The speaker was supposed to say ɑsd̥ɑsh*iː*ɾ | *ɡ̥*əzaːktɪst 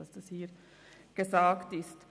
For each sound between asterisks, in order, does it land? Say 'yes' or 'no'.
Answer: yes, yes

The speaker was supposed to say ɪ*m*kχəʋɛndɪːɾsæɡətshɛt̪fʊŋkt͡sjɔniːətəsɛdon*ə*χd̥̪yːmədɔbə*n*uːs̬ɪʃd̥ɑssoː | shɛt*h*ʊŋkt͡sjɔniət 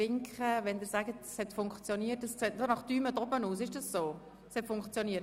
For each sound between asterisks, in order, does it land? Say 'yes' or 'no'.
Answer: no, no, yes, no

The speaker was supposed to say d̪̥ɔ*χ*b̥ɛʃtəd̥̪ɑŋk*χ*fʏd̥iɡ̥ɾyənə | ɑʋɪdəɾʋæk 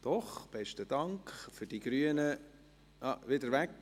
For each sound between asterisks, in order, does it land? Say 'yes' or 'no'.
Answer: yes, yes

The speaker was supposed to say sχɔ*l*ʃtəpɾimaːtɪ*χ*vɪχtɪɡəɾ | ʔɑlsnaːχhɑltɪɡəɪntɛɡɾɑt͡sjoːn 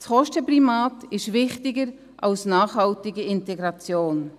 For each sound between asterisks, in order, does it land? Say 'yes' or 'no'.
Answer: no, no

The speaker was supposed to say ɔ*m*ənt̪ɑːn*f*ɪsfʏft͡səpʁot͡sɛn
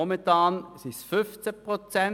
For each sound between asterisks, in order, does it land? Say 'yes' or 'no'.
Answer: yes, no

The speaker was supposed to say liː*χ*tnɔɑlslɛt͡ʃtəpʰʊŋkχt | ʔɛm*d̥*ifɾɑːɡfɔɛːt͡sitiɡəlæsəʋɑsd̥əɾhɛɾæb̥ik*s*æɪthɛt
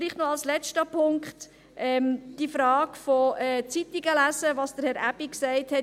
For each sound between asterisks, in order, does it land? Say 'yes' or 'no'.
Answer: yes, yes, yes

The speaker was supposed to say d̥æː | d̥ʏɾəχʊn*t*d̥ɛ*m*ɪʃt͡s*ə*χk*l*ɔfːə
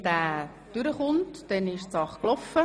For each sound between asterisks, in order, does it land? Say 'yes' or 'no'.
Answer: yes, no, no, yes

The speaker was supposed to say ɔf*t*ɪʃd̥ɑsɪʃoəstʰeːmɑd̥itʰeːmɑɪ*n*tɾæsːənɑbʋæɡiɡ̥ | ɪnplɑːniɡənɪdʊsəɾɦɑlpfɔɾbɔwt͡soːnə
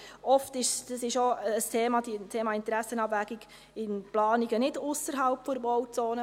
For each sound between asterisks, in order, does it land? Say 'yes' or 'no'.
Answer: yes, yes

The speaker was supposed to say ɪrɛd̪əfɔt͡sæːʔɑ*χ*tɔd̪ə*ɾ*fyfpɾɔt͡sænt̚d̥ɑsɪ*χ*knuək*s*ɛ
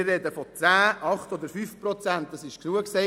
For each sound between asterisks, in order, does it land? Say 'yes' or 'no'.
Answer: yes, yes, no, yes

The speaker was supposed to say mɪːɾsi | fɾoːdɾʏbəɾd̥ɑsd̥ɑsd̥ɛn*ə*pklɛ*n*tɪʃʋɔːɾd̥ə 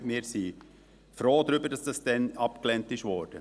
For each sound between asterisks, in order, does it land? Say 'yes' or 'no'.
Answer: no, yes

